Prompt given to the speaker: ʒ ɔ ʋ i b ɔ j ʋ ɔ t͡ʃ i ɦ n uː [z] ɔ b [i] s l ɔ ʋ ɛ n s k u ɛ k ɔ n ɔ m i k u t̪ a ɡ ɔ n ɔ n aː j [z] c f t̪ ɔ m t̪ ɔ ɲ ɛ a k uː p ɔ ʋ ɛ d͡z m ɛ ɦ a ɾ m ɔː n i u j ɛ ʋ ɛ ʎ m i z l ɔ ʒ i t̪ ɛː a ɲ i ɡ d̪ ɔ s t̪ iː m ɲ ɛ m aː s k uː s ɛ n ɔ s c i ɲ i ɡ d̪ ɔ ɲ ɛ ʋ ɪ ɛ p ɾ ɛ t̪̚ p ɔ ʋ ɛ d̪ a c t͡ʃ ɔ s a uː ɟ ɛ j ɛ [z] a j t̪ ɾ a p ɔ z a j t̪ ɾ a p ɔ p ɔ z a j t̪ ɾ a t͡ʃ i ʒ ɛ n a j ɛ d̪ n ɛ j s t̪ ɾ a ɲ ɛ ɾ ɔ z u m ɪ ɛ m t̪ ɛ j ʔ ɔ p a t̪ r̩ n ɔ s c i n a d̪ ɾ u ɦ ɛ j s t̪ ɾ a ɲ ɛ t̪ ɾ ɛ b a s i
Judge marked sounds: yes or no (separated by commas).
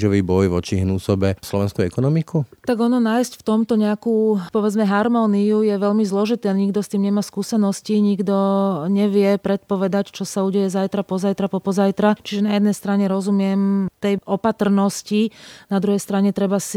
no, no, no, yes